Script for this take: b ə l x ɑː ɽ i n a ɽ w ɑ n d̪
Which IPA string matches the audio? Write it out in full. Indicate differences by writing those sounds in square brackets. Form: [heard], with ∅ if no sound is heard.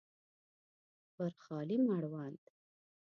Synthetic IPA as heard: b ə [ɾ] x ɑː [l] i [m] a ɽ w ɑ n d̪